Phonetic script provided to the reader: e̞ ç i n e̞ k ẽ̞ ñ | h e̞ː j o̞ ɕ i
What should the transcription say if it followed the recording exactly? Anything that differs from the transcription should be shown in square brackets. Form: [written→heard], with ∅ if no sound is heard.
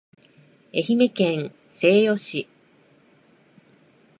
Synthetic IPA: e̞ ç i [n→m] e̞ k ẽ̞ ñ | [h→s] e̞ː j o̞ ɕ i